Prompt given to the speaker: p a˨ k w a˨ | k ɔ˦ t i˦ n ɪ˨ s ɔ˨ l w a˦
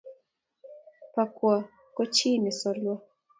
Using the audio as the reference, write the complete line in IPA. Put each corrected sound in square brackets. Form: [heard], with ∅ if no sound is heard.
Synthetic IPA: p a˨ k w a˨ | k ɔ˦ [t͡ʃ] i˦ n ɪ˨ s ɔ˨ l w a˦